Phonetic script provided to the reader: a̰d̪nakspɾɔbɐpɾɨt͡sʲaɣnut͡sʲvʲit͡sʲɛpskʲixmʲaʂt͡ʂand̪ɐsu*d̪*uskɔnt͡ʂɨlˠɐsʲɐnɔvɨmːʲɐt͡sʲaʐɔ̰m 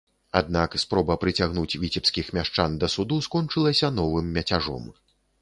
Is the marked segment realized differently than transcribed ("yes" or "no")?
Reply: no